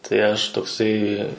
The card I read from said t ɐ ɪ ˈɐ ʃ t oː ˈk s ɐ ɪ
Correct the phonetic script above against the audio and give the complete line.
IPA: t ɐ ɪ ˈɐ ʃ t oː ˈk s ɐ ɪ

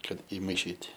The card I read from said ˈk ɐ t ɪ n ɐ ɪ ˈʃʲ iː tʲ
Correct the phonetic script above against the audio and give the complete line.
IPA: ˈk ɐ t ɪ m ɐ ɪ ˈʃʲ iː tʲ

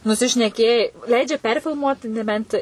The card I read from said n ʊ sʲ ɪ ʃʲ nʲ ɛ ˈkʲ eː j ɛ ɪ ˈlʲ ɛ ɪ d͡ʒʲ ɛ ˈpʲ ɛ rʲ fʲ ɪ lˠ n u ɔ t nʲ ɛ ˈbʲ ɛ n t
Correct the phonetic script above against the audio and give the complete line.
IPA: n ʊ sʲ ɪ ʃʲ nʲ ɛ ˈkʲ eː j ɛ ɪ ˈlʲ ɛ ɪ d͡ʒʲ ɛ ˈpʲ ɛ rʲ fʲ ɪ lˠ m u ɔ t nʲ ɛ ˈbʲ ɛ n t

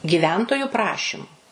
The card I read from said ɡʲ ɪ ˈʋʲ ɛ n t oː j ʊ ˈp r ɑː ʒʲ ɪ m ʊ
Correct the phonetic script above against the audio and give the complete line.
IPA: ɡʲ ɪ ˈʋʲ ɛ n t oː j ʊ ˈp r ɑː ʃʲ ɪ m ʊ

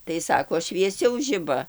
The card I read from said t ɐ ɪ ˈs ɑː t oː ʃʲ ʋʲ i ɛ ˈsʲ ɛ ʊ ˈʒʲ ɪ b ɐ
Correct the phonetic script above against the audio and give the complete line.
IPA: t ɐ ɪ ˈs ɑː k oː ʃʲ ʋʲ i ɛ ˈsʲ ɛ ʊ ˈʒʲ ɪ b ɐ

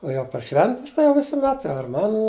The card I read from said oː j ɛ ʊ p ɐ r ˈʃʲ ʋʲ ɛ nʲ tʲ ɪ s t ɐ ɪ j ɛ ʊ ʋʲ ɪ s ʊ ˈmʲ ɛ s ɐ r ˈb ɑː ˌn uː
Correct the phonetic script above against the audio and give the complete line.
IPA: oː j ɛ ʊ p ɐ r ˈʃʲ ʋʲ ɛ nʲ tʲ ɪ s t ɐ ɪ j ɛ ʊ ʋʲ ɪ s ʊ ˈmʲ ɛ t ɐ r ˈm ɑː ˌn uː

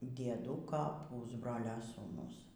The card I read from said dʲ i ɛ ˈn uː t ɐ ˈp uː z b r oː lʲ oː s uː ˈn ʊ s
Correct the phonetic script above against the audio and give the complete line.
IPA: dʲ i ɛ ˈd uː k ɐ ˈp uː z b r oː lʲ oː s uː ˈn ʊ s

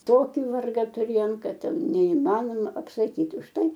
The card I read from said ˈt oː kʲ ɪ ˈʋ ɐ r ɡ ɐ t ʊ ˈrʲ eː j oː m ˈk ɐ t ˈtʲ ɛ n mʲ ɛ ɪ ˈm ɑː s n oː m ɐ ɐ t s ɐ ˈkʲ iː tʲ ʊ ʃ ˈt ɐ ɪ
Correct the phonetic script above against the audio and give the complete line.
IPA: ˈt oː kʲ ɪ ˈʋ ɐ r ɡ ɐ t ʊ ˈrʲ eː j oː m ˈk ɐ t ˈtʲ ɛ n nʲ ɛ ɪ ˈm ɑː n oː m ɐ ɐ p s ɐ ˈkʲ iː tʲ ʊ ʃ ˈt ɐ ɪ

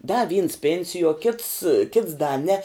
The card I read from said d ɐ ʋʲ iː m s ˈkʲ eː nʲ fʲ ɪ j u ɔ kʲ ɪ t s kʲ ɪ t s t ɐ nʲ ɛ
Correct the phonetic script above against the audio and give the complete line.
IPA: d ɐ ʋʲ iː n s ˈpʲ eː nʲ sʲ ɪ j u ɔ kʲ ɪ t s kʲ ɪ t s d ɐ nʲ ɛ

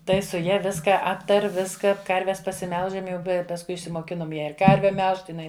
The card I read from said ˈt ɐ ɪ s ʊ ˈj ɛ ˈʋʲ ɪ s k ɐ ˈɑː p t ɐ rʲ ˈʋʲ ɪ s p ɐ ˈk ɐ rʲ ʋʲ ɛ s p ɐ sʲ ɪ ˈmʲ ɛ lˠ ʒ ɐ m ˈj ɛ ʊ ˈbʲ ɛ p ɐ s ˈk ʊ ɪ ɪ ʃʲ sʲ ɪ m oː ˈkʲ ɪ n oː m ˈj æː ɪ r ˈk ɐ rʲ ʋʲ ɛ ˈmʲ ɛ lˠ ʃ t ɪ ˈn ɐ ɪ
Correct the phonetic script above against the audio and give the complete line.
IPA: ˈt ɐ ɪ s ʊ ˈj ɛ ˈʋʲ ɪ s k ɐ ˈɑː p t ɐ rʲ ˈʋʲ ɪ s k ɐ ˈk ɐ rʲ ʋʲ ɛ s p ɐ sʲ ɪ ˈmʲ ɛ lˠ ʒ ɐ m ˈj ɛ ʊ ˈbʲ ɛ p ɐ s ˈk ʊ ɪ ɪ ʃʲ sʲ ɪ m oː ˈkʲ ɪ n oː m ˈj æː ɪ r ˈk ɐ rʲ ʋʲ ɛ ˈmʲ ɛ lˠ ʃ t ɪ ˈn ɐ ɪ

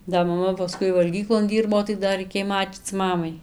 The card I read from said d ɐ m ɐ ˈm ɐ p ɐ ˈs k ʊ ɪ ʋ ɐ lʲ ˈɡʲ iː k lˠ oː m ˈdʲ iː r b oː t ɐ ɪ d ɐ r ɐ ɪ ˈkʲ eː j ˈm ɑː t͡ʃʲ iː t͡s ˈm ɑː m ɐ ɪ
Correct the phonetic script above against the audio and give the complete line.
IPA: d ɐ m ɐ ˈm ɐ p ɐ ˈs k ʊ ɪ ʋ ɐ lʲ ˈɡʲ iː k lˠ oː n ˈdʲ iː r b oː t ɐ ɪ d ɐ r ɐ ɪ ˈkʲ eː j ˈm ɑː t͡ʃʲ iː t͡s ˈm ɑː m ɐ ɪ

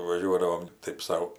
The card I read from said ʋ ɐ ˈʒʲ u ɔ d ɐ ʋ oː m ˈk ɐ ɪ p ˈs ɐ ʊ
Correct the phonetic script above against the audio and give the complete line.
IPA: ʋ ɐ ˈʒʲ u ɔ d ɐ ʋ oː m ˈt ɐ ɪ p ˈs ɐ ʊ

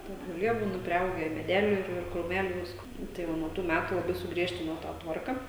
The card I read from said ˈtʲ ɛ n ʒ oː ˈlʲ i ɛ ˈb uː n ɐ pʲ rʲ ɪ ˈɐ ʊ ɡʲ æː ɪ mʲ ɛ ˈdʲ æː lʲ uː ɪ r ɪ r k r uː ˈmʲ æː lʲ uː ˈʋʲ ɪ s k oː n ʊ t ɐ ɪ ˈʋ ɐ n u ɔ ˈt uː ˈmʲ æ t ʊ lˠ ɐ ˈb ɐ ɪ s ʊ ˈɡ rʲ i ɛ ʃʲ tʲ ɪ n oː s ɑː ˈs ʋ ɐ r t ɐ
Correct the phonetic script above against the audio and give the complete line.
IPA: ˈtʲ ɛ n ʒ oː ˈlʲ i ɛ ˈb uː n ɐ pʲ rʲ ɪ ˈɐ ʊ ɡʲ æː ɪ mʲ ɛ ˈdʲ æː lʲ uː ɪ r ɪ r k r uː ˈmʲ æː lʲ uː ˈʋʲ ɪ s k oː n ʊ t ɐ ɪ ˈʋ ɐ n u ɔ ˈt uː ˈmʲ æ t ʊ lˠ ɐ ˈb ɐ ɪ s ʊ ˈɡ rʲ i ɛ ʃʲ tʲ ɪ n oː t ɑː ˈt ʋ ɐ r k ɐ

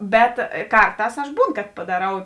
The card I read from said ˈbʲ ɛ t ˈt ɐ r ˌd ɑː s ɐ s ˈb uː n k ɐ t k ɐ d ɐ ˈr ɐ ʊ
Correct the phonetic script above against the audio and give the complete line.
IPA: ˈbʲ ɛ t ˈk ɐ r ˌt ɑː s ɐ ʃ ˈb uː n k ɐ t p ɐ d ɐ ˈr ɐ ʊ

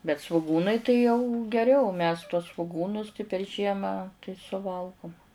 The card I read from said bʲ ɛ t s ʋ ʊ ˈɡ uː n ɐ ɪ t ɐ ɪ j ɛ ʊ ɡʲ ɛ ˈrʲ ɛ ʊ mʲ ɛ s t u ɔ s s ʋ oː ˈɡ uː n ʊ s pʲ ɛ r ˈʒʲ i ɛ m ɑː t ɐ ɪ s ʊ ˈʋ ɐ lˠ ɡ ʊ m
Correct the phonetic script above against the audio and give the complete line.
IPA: bʲ ɛ t s ʋ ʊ ˈɡ uː n ɐ ɪ t ɐ ɪ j ɛ ʊ ɡʲ ɛ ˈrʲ ɛ ʊ mʲ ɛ s t u ɔ s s ʋ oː ˈɡ uː n ʊ s pʲ ɛ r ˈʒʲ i ɛ m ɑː t ɐ ɪ s ʊ ˈʋ ɐ lˠ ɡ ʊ m

